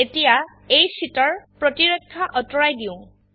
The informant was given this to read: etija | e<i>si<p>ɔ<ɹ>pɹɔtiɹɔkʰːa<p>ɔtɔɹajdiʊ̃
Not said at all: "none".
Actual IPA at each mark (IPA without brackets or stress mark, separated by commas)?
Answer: j, t, ɹ, ʔ